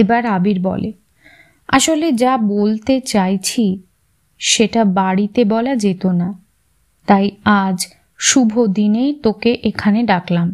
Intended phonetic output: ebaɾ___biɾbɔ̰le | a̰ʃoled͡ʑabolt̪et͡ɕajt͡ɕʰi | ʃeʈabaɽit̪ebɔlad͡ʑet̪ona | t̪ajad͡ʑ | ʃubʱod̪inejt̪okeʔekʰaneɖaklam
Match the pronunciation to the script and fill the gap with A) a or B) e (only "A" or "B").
A